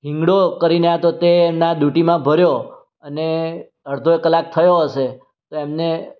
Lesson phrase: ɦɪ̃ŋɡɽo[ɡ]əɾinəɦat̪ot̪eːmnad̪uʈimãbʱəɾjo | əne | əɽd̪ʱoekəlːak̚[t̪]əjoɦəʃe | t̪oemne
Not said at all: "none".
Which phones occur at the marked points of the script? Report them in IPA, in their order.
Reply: k, t̪ʰ

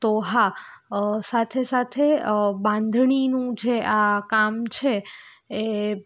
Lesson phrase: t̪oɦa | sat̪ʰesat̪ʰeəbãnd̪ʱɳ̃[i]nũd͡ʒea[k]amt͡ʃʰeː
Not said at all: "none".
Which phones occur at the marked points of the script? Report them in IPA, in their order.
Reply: i, k

